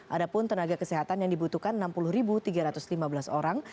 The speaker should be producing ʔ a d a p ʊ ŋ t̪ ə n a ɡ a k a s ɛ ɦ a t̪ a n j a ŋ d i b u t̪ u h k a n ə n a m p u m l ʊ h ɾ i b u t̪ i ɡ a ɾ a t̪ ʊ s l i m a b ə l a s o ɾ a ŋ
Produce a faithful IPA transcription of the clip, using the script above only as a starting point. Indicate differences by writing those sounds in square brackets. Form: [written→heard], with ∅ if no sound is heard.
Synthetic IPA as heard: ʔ a d a p ʊ [ŋ→n] t̪ ə n a ɡ a k [a→ə] s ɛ ɦ a t̪ a n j a ŋ d i b u t̪ u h k a n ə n a m p u [m→∅] l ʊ h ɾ i b u t̪ i ɡ a ɾ a t̪ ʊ s l i m a b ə l a s o ɾ a ŋ